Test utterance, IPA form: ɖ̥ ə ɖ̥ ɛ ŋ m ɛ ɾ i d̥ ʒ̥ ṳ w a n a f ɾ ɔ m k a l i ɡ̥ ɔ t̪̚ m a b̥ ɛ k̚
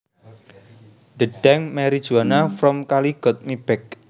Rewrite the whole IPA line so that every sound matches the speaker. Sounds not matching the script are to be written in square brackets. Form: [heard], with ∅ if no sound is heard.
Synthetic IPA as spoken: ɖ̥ ə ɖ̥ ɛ ŋ m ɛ ɾ i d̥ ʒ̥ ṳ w a n a f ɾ ɔ m k a l i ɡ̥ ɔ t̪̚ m [i] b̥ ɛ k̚